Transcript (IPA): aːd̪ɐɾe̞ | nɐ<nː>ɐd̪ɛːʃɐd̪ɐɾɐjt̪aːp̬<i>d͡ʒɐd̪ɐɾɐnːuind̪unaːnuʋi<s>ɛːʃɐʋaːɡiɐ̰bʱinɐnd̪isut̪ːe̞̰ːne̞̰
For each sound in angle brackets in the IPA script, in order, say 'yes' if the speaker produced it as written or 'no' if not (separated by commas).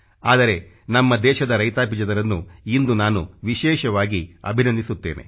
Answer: no, yes, no